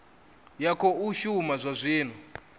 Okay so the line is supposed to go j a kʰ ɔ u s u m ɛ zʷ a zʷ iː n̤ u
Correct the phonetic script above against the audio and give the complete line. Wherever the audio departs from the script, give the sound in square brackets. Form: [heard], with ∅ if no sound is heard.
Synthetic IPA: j a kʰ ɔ u [ʃ] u m [a] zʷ a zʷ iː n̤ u